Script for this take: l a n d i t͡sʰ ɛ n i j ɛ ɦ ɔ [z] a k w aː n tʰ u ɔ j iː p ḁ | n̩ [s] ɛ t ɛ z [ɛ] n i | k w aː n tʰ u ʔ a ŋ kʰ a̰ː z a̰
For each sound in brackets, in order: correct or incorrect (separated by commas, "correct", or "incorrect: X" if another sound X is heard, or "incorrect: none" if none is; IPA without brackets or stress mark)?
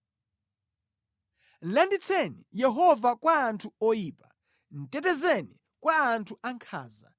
incorrect: v, incorrect: t, correct